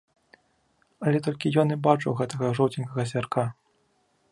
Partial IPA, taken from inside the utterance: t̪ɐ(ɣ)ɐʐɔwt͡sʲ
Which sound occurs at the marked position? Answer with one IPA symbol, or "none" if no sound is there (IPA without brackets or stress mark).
ɣ